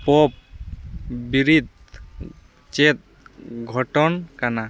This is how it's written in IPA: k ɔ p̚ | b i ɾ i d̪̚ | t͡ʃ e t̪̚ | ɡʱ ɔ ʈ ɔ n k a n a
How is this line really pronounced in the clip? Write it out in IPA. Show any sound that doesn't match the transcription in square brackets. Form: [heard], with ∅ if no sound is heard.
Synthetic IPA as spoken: [p] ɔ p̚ | b i ɾ i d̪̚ | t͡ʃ e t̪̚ | ɡʱ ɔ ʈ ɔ n k a n a